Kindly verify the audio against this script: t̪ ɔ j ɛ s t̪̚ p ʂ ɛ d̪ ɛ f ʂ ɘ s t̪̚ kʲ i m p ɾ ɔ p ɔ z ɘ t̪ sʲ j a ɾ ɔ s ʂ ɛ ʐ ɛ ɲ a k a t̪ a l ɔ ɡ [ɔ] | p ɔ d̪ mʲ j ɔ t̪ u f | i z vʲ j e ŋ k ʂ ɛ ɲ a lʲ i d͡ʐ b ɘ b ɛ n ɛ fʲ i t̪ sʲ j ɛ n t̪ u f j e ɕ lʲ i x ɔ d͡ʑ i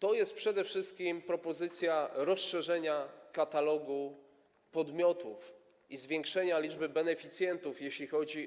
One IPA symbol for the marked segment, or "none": u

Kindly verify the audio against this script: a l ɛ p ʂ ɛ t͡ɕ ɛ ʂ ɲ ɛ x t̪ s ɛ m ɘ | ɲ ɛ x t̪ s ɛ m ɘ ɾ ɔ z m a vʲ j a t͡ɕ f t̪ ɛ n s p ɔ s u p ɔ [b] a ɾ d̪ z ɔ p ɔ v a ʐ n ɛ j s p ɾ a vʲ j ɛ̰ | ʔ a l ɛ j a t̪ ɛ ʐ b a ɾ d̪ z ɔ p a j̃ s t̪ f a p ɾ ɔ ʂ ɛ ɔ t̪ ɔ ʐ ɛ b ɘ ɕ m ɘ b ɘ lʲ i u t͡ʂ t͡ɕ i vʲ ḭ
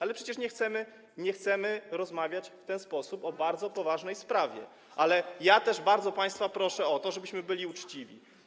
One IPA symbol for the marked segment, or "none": b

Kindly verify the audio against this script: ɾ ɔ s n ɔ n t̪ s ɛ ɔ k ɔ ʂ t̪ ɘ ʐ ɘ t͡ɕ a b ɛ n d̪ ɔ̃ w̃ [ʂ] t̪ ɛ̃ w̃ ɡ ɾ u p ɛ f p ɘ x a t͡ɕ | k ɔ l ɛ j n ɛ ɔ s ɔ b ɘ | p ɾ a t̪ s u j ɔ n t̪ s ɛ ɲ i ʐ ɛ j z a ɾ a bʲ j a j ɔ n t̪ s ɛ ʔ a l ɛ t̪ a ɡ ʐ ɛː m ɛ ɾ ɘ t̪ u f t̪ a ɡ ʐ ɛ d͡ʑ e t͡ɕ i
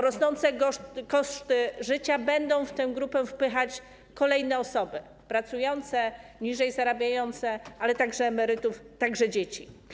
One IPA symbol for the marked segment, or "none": f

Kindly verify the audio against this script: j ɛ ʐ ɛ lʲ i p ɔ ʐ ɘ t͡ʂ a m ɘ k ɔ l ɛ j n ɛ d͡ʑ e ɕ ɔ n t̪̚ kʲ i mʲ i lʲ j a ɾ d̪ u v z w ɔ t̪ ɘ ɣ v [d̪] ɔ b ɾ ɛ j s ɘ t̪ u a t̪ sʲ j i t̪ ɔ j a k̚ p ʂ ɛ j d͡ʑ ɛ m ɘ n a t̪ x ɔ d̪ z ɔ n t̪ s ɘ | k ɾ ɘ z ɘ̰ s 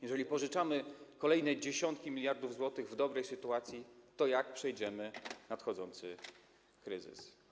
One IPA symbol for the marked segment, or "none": d̪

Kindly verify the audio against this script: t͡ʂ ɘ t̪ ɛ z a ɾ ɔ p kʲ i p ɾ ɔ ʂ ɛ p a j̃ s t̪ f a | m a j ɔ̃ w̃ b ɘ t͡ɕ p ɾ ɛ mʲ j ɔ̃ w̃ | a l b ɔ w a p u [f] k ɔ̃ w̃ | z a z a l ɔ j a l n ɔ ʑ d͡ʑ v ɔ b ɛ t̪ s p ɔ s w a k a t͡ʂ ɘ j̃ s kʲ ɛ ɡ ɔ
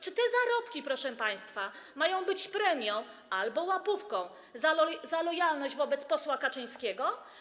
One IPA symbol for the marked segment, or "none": f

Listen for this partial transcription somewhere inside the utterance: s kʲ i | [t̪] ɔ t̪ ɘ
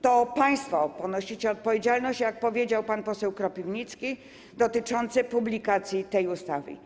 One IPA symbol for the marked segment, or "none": d̪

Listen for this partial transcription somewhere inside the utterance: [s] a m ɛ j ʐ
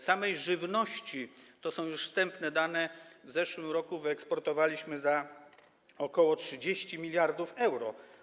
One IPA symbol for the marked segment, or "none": s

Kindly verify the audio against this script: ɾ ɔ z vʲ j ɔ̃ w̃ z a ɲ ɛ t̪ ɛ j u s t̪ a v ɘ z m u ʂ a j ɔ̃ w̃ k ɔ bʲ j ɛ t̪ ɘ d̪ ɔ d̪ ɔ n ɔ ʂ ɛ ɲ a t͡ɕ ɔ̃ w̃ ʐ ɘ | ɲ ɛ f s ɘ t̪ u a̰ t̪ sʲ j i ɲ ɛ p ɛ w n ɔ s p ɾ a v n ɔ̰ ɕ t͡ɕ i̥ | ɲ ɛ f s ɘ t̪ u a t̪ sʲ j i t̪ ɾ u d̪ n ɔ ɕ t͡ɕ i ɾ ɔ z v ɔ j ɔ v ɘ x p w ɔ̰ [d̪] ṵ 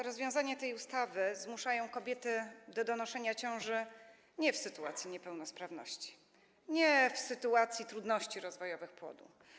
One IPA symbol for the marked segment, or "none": d̪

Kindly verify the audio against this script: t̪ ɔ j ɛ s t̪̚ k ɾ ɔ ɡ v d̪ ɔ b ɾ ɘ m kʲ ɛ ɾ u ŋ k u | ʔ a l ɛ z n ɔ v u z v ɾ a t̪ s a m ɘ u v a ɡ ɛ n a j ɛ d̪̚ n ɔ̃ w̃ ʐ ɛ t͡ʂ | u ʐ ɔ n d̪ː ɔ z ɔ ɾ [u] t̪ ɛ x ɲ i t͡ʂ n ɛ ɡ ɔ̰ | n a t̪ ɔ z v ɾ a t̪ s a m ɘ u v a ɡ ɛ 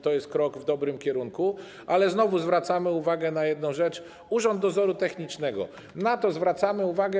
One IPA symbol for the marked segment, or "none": u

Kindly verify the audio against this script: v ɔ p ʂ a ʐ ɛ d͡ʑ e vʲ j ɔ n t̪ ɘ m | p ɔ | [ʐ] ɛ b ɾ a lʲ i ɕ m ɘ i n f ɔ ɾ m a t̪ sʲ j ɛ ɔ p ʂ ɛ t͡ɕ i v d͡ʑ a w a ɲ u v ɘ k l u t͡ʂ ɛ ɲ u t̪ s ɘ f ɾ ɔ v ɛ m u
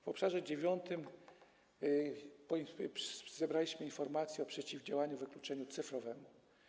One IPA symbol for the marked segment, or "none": z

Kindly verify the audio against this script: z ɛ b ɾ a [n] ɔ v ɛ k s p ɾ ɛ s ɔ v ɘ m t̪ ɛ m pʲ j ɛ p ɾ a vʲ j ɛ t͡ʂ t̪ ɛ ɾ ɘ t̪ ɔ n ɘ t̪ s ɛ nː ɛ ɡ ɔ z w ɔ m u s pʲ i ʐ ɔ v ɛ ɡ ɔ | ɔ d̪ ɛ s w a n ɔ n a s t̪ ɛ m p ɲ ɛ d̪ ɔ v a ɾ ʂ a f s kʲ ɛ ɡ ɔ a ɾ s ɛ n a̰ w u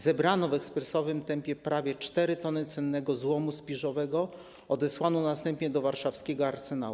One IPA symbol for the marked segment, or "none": n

